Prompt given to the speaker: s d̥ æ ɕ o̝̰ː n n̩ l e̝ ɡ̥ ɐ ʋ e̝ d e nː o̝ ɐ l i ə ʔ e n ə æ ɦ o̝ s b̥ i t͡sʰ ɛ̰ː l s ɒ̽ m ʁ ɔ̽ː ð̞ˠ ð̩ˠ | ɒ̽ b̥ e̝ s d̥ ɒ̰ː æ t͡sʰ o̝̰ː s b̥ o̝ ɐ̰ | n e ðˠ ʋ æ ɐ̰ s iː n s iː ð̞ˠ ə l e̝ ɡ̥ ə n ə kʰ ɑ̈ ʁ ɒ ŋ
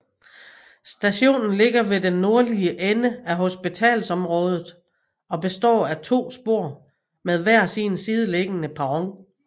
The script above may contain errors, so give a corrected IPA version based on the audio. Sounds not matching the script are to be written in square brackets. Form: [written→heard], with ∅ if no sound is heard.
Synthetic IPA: s d̥ æ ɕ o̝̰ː n n̩ l e̝ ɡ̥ ɐ ʋ e̝ d e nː o̝ ɐ l i ə ʔ e n ə æ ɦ o̝ s b̥ i t͡sʰ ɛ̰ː l s ɒ̽ m ʁ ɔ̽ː ð̞ˠ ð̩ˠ | ɒ̽ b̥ e̝ s d̥ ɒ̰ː æ t͡sʰ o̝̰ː s b̥ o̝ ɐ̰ | [n→m] e ðˠ ʋ æ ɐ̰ s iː n s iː ð̞ˠ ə l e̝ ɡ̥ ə n ə [kʰ→pʰ] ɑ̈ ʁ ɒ ŋ